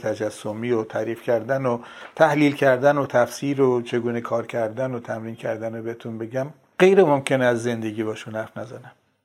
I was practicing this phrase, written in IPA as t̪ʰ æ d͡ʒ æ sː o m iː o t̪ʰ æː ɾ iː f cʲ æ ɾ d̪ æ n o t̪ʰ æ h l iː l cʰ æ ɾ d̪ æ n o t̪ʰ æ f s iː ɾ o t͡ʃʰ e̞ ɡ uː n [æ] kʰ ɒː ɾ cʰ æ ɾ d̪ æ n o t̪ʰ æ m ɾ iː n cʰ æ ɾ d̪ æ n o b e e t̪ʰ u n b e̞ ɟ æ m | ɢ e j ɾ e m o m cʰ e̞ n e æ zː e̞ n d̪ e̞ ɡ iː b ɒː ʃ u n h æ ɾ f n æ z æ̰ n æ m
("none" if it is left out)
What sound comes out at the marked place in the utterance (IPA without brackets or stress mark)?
e